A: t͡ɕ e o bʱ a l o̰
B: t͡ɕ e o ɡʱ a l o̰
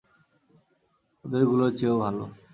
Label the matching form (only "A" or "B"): A